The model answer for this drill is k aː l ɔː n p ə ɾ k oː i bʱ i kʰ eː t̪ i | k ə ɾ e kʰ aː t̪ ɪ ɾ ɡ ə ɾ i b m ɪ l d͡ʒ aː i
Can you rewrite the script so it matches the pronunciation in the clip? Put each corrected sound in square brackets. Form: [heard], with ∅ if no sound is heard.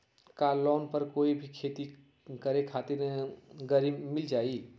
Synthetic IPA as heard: k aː l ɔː n p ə ɾ k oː i bʱ i kʰ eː t̪ i | k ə ɾ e kʰ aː t̪ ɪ ɾ ɡ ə ɾ i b m ɪ l d͡ʒ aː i